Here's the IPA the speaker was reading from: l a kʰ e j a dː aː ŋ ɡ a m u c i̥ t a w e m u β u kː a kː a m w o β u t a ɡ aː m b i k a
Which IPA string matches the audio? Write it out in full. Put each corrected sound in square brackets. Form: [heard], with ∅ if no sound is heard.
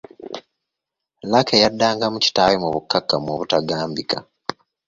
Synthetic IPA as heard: l a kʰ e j a dː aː ŋ ɡ a m u c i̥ t a w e m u β u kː a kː a m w o β u t a ɡ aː m b i k a